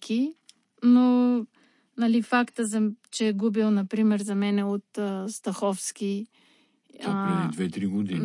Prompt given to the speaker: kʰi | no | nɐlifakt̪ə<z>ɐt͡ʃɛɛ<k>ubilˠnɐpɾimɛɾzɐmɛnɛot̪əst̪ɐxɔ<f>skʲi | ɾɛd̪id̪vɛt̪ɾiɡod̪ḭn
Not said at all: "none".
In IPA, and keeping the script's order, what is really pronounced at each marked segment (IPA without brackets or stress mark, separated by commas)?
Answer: z, ɡ, f